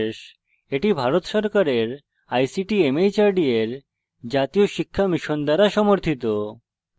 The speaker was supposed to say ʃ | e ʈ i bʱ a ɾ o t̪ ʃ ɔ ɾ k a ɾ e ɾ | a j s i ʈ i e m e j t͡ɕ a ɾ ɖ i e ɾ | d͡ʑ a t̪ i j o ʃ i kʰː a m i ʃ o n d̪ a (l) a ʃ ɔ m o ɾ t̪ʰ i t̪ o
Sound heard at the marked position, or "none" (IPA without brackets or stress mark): ɾ